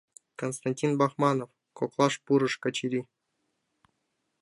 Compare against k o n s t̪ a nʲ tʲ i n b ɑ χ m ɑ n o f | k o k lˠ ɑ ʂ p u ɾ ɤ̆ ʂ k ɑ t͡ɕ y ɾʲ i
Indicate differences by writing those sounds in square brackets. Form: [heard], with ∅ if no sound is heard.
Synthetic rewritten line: k o n s t̪ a nʲ tʲ i n b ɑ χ m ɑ n o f | k o k lˠ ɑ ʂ p u ɾ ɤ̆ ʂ k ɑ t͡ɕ [i] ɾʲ i